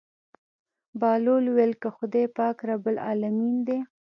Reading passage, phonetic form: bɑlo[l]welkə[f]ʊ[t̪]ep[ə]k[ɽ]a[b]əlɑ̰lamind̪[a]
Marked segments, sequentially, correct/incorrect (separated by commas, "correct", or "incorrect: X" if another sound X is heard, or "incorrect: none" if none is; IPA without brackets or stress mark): correct, incorrect: x, incorrect: d̪, incorrect: ɑ, incorrect: ɾ, correct, incorrect: e